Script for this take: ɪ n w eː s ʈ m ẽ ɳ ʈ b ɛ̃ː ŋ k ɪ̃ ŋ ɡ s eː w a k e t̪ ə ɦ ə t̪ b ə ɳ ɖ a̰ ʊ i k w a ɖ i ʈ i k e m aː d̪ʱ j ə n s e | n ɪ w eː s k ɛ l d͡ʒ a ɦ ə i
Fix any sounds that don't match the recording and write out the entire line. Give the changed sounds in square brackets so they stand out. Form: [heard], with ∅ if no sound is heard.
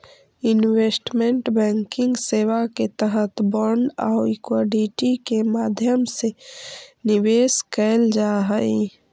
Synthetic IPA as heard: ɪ n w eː s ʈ m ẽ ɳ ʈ b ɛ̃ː ŋ k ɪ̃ ŋ ɡ s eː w a k e t̪ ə ɦ ə t̪ b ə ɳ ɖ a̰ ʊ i k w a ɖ i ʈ i k e m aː d̪ʱ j ə [m] s e | n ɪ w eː s k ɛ l d͡ʒ a ɦ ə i